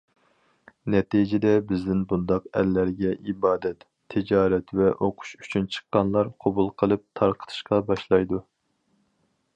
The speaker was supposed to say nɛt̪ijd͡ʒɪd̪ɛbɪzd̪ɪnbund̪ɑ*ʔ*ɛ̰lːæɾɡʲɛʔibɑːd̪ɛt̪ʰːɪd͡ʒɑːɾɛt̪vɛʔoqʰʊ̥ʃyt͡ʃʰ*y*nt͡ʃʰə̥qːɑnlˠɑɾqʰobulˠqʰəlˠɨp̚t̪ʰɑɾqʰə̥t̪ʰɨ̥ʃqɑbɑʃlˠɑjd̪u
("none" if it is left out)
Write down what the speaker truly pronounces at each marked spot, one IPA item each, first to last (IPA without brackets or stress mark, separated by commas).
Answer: q, y